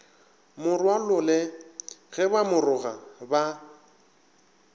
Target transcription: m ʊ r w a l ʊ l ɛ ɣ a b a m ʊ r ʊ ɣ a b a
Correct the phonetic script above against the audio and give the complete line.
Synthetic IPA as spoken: m ʊ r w a l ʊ l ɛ ɣ ɛ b a m ʊ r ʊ ɣ a b a